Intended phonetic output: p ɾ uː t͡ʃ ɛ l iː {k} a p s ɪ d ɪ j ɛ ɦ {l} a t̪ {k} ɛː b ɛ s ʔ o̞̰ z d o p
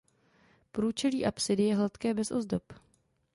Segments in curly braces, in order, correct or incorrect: incorrect: ʔ, correct, correct

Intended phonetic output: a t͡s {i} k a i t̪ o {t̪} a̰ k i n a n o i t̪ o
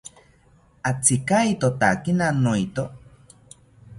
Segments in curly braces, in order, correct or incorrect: correct, correct

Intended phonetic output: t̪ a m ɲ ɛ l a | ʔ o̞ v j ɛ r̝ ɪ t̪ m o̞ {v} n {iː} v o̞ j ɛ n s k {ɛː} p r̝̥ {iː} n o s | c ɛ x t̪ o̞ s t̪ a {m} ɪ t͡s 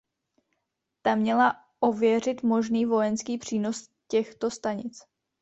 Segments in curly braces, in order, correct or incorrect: incorrect: ʒ, correct, incorrect: iː, correct, incorrect: ɲ

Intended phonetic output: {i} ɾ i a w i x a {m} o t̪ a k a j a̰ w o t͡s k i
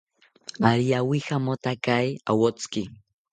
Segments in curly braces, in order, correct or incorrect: incorrect: a, correct

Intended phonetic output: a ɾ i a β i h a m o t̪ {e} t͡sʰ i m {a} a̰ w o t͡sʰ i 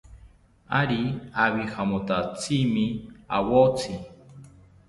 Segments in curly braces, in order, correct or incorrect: incorrect: a, incorrect: i

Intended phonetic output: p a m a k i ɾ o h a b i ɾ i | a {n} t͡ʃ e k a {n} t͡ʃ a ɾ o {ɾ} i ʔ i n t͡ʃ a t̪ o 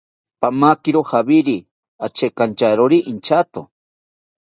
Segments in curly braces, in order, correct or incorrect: incorrect: none, correct, correct

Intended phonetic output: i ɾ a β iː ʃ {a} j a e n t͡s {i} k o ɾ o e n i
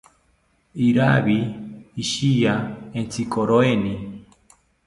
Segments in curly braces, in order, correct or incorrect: incorrect: i, correct

